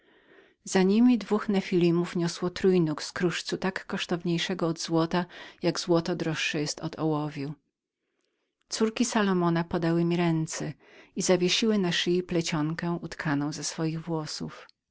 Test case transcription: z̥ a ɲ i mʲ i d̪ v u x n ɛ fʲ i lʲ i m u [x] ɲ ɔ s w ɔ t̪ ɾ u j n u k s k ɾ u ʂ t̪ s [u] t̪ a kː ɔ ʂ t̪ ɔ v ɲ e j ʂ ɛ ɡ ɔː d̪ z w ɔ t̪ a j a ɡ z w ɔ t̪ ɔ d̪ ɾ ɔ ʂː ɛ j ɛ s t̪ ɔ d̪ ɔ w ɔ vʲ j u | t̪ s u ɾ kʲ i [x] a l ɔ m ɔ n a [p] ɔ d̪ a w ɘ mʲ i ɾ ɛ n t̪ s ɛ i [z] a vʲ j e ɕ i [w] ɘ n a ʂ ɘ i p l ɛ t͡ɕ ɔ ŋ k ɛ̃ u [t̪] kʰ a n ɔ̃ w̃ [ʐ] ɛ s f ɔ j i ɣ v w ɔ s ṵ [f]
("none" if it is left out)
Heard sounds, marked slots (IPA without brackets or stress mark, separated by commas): f, u, s, p, z, w, t̪, z, f